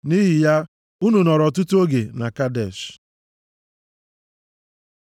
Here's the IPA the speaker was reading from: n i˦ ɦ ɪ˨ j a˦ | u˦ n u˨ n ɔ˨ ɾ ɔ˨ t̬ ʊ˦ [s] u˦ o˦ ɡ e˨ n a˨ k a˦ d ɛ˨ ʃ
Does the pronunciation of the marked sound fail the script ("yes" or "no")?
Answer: yes